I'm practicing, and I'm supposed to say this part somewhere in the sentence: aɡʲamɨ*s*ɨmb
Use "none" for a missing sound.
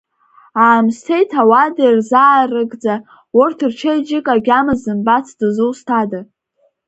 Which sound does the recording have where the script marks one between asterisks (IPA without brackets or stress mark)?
z